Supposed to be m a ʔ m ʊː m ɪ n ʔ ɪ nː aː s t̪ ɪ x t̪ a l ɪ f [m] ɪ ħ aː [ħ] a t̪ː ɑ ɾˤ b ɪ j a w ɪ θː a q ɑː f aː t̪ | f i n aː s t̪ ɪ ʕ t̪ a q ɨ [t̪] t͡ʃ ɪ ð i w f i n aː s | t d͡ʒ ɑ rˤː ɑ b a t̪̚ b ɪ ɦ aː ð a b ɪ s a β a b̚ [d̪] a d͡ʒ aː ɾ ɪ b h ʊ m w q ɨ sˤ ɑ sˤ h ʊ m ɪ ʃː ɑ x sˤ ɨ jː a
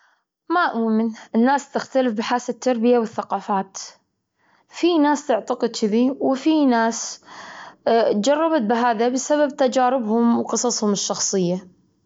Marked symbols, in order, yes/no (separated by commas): no, no, no, no